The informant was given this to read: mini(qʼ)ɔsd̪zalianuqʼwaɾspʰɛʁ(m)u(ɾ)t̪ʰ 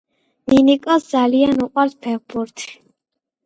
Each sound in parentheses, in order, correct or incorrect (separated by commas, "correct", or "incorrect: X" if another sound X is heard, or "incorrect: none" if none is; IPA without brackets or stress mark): incorrect: kʼ, incorrect: b, correct